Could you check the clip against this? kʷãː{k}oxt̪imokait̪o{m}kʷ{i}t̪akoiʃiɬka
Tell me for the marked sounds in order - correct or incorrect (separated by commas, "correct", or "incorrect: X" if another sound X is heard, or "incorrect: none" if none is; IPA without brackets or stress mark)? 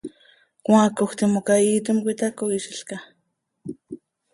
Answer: correct, correct, correct